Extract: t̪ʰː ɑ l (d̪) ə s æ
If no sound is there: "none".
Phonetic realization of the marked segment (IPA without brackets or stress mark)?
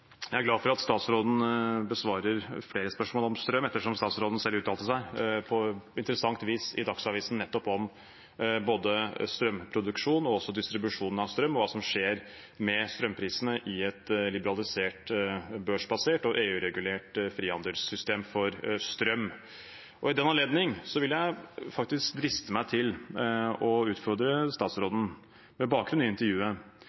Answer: t̪